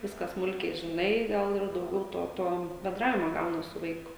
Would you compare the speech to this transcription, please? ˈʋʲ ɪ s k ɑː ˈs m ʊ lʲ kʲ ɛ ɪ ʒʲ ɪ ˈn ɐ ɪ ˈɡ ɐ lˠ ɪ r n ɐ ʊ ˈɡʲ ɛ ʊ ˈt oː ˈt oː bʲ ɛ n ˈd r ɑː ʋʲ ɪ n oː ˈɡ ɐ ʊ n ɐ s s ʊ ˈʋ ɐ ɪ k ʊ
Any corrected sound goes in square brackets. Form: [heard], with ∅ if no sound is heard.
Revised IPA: ˈʋʲ ɪ s k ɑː ˈs m ʊ lʲ kʲ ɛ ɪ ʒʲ ɪ ˈn ɐ ɪ ˈɡ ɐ lˠ ɪ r [d] ɐ ʊ ˈɡʲ ɛ ʊ ˈt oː ˈt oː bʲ ɛ n ˈd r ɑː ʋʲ ɪ [m] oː ˈɡ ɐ ʊ n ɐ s s ʊ ˈʋ ɐ ɪ k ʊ